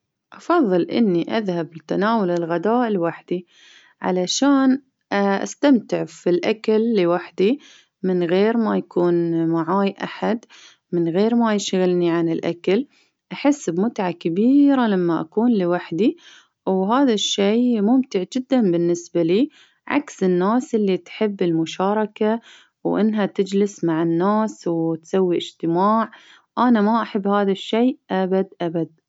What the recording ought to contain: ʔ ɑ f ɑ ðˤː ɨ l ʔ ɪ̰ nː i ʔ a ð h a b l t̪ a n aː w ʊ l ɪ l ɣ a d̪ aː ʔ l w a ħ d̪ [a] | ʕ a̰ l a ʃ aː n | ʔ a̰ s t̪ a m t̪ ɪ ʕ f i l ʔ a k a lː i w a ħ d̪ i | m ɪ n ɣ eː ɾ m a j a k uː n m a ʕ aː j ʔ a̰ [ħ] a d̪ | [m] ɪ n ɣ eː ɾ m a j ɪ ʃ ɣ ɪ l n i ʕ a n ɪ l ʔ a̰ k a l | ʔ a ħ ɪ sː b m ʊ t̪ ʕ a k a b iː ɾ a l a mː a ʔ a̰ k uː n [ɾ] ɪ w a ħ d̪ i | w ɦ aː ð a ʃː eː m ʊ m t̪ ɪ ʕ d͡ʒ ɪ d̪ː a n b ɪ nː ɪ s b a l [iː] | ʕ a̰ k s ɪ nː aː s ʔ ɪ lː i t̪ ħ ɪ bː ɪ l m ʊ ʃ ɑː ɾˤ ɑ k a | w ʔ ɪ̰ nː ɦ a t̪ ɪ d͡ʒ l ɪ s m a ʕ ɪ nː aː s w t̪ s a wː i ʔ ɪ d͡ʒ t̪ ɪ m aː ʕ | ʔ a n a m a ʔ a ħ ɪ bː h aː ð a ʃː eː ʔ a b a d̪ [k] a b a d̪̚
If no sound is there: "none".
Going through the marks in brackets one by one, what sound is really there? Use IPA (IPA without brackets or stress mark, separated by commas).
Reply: i, ħ, m, l, iː, ʔ